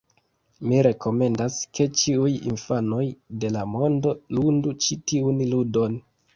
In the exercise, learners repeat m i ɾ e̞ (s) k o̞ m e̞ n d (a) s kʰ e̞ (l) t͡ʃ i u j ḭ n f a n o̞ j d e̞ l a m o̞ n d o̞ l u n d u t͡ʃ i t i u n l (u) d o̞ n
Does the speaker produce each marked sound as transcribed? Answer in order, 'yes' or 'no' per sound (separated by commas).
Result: no, yes, no, yes